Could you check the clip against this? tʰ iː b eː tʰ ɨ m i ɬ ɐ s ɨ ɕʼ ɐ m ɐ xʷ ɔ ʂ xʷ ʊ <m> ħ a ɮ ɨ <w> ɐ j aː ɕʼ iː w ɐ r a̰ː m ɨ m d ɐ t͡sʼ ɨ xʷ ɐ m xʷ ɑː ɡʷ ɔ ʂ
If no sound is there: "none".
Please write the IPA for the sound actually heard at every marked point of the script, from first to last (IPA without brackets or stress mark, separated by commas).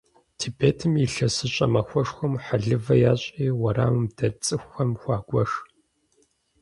m, v